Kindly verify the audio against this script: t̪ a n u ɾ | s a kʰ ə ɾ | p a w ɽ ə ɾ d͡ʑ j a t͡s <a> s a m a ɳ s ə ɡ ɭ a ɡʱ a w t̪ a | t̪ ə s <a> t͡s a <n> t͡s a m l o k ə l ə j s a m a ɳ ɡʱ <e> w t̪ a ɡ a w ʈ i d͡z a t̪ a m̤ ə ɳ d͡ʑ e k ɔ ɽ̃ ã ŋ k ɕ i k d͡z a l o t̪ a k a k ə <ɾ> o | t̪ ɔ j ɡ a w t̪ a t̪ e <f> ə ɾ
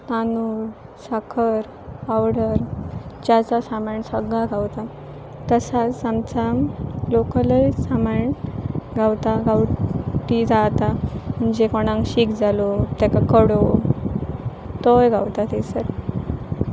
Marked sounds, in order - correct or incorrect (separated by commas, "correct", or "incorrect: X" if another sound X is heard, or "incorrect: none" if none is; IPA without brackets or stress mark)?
correct, correct, incorrect: m, incorrect: a, incorrect: ɽ, incorrect: s